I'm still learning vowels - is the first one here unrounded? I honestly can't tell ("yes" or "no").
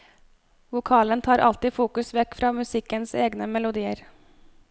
no